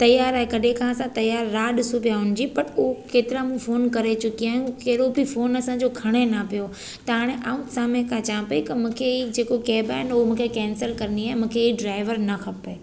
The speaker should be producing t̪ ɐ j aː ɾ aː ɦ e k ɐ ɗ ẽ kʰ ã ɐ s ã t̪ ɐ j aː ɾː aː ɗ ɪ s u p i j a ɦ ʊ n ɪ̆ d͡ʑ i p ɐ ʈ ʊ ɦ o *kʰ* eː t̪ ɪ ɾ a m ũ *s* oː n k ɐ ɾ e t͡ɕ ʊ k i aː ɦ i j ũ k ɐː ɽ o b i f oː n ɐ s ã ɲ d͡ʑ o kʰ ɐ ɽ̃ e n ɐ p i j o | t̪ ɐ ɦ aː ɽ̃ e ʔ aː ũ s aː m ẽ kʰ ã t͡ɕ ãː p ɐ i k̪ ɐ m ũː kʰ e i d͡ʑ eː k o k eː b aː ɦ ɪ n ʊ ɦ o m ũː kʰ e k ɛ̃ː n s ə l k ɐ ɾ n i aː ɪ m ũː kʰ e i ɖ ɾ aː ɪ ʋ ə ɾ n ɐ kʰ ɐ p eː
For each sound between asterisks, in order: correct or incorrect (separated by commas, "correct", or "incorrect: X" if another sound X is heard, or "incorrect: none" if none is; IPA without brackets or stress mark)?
incorrect: k, incorrect: f